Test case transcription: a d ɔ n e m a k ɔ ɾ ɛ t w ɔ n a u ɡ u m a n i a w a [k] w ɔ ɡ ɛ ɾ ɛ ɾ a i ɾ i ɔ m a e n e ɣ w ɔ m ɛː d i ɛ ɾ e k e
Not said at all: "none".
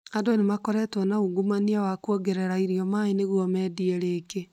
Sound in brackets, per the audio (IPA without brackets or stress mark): k